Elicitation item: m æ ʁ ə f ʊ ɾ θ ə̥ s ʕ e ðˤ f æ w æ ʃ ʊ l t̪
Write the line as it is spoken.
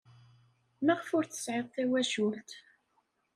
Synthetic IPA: m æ ʁ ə f ʊ ɾ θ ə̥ s ʕ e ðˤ θ æ w æ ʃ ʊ l t̪